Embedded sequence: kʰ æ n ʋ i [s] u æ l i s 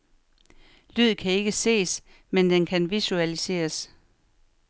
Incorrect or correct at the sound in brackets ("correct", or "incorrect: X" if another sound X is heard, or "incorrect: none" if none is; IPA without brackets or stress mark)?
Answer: correct